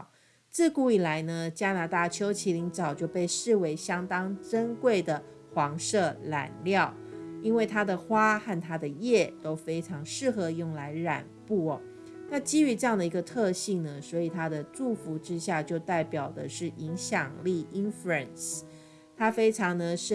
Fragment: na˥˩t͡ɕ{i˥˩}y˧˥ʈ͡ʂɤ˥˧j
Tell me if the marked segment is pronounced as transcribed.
no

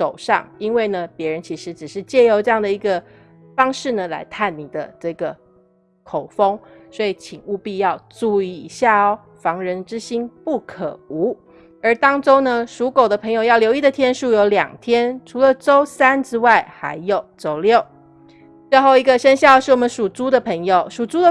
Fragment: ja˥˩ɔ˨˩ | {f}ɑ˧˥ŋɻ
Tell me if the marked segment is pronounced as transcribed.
yes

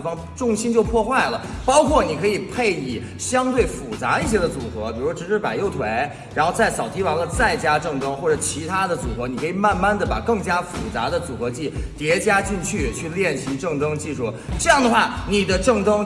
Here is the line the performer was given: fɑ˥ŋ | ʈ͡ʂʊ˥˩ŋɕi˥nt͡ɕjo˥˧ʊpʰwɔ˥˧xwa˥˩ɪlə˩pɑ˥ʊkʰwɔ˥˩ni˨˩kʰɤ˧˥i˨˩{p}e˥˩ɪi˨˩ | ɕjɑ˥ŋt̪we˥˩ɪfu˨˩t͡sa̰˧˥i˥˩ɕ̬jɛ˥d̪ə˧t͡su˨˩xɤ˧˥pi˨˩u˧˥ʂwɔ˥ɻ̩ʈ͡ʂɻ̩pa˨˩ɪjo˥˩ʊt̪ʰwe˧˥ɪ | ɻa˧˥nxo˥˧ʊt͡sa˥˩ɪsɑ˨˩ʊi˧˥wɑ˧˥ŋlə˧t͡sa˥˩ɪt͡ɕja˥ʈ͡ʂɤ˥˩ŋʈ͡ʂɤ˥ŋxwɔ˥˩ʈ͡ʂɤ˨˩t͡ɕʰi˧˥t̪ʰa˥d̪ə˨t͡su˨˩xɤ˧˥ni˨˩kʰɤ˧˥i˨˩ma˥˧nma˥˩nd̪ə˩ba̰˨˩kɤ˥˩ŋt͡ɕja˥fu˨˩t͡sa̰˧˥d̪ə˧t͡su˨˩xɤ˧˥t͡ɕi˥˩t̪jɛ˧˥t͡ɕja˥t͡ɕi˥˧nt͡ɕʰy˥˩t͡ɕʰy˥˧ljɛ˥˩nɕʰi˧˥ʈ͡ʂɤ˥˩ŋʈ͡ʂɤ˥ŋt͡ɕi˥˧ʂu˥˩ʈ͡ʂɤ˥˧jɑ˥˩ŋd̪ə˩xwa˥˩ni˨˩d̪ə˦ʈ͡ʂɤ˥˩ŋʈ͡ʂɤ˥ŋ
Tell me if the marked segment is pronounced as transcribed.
no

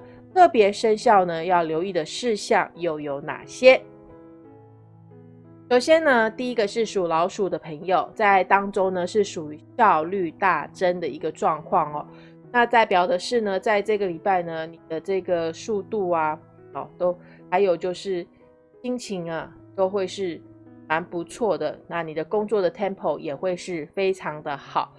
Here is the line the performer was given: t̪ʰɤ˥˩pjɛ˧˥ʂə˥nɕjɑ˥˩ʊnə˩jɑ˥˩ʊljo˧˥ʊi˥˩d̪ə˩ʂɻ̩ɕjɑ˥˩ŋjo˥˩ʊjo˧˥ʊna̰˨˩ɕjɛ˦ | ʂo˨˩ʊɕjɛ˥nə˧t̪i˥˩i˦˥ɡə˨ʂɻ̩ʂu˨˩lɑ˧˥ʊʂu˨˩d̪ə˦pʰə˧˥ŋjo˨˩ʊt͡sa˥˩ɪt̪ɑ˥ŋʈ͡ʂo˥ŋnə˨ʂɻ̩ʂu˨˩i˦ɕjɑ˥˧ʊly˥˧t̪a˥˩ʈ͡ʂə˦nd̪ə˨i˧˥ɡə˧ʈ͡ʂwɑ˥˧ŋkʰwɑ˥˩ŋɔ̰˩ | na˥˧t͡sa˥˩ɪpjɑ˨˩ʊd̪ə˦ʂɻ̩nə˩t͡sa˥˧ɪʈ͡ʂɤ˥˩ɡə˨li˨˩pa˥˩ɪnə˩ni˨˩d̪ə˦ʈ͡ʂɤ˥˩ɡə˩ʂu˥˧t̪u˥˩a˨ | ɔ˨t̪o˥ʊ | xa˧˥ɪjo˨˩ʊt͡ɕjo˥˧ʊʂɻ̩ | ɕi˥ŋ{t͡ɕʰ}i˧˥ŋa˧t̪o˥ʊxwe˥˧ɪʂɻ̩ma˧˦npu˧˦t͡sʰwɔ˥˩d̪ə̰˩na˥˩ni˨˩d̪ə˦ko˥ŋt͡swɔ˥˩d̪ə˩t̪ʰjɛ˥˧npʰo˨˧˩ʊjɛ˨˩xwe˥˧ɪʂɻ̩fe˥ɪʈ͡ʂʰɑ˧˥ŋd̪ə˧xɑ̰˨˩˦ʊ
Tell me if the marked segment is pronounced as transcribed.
yes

